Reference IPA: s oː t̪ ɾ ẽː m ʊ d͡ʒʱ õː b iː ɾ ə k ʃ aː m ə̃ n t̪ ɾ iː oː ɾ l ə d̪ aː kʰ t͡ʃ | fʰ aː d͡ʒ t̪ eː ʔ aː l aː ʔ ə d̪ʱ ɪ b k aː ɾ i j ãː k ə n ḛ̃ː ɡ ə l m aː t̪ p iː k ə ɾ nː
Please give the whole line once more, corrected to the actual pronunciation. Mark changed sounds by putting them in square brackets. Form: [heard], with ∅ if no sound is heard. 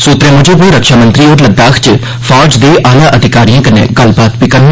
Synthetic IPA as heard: s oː t̪ ɾ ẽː m ʊ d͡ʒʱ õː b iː ɾ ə k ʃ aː m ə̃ n t̪ ɾ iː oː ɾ l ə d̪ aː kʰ t͡ʃ | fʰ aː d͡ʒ [d̪] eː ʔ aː l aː ʔ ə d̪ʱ ɪ [∅] k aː ɾ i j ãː k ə n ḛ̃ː ɡ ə l [b] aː t̪ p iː k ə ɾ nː